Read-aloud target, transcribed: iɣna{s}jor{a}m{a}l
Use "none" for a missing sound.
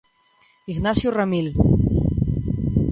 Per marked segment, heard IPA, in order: s, a, i

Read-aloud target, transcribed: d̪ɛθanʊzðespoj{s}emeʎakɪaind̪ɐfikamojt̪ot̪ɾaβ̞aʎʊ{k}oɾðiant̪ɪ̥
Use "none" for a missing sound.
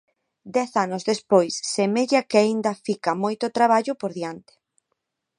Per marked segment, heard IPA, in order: sː, p

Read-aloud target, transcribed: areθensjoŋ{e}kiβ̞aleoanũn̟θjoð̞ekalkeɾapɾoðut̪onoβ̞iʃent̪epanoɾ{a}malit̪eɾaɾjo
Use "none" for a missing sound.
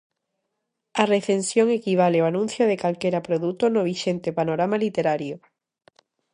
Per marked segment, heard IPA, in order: e, a

